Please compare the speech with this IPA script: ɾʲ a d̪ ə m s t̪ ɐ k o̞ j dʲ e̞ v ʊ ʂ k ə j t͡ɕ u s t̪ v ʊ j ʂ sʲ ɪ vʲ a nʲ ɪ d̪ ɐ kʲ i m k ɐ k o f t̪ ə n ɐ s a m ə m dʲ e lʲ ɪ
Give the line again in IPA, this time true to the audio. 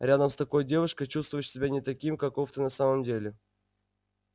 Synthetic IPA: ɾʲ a d̪ ə m s t̪ ɐ k o̞ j dʲ e̞ v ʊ ʂ k ə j t͡ɕ u s t̪ v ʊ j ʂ sʲ ɪ bʲ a nʲ ɪ t̪ ɐ kʲ i m k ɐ k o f t̪ ə n ɐ s a m ə m dʲ e lʲ ɪ